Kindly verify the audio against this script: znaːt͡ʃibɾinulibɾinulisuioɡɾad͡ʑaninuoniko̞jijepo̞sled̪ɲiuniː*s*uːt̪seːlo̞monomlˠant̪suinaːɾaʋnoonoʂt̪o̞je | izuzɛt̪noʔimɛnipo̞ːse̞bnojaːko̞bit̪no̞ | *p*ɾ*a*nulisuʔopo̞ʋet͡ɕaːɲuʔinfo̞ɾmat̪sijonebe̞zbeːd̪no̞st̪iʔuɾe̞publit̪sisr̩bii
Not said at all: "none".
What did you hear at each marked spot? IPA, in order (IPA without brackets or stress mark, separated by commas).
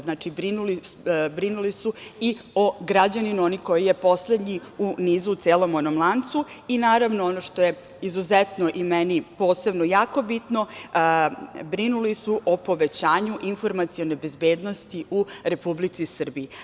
z, b, i